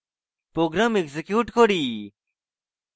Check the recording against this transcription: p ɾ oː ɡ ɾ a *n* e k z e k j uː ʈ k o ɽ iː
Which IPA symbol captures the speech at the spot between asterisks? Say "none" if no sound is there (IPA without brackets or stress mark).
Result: m